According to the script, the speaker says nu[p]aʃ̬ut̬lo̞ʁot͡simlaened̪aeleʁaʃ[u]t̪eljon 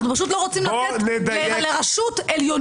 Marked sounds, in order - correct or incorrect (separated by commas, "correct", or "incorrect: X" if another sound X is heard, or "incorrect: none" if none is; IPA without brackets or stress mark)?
correct, correct